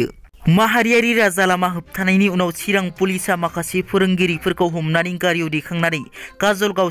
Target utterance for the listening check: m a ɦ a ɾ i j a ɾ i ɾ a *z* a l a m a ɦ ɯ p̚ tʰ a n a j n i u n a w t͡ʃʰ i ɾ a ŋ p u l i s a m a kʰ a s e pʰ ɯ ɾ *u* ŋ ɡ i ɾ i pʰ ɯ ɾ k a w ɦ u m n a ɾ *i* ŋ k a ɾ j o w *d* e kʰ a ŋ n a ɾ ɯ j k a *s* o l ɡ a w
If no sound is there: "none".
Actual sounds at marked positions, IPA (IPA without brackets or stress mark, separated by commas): z, ɯ, i, d, z